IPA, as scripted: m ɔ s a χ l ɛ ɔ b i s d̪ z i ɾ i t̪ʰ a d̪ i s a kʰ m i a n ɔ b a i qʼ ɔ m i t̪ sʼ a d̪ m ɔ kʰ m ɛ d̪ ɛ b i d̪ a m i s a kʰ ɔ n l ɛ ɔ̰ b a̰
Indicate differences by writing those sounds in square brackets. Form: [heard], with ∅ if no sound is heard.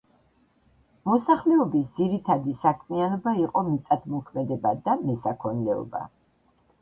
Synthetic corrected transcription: m ɔ s a χ l ɛ ɔ b i s d̪ z i ɾ i t̪ʰ a d̪ i s a kʰ m i a n ɔ b a i qʼ ɔ m i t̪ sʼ a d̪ m ɔ kʰ m ɛ d̪ ɛ b [a] d̪ a m [ɛ] s a kʰ ɔ n l ɛ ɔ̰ b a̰

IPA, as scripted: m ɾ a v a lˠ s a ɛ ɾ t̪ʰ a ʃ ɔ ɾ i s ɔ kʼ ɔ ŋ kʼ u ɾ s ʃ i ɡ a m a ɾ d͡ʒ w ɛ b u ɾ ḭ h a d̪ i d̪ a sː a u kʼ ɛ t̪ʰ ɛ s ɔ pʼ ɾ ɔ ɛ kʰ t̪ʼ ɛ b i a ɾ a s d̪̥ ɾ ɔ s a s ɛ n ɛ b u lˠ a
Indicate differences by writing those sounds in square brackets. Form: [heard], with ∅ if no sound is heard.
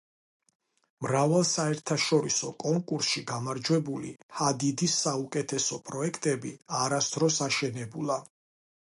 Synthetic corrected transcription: m ɾ a v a lˠ s a ɛ ɾ t̪ʰ a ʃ ɔ ɾ i s ɔ kʼ ɔ ŋ kʼ u ɾ s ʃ i ɡ a m a ɾ d͡ʒ w ɛ b u [l] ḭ h a d̪ i d̪ [i] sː a u kʼ ɛ t̪ʰ ɛ s ɔ pʼ ɾ ɔ ɛ kʰ t̪ʼ ɛ b i a ɾ a s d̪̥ ɾ ɔ s a [ʃ] ɛ n ɛ b u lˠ a

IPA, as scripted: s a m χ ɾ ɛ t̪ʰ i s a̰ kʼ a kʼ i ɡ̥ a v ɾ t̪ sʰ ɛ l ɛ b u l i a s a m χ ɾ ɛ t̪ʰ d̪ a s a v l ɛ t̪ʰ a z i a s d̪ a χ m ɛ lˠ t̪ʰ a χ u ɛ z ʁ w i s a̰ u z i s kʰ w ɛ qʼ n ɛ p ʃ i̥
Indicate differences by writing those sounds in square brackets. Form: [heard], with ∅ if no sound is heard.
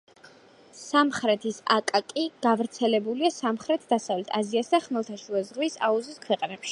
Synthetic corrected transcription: s a m χ ɾ ɛ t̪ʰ i s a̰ kʼ a kʼ i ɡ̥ a v ɾ t̪ sʰ ɛ l ɛ b u l i a s a m χ ɾ ɛ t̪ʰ d̪ a s a v l ɛ t̪ʰ a z i a s d̪ a χ m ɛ lˠ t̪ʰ a [ʃ] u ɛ z ʁ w i s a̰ u z i s kʰ w ɛ qʼ n ɛ p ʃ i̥

